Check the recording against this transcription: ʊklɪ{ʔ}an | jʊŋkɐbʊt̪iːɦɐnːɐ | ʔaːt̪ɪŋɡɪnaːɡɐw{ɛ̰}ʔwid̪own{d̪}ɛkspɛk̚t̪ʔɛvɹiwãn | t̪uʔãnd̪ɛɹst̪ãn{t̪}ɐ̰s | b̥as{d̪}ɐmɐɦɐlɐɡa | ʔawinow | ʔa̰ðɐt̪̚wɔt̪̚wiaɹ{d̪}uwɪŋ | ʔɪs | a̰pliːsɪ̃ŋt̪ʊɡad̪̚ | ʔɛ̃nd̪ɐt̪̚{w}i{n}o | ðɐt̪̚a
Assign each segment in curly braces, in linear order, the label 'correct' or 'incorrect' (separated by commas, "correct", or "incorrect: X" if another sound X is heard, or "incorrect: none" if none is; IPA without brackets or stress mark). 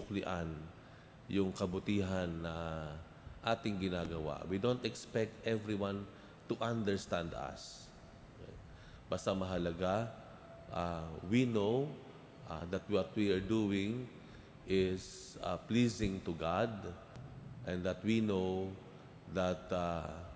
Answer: correct, incorrect: a̰, incorrect: t̪, incorrect: d̪, incorrect: t̪, correct, correct, correct